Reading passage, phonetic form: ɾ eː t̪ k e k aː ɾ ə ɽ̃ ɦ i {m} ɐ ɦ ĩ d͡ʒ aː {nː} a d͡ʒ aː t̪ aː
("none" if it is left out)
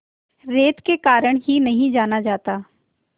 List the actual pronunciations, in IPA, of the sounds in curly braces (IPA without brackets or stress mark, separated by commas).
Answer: n, n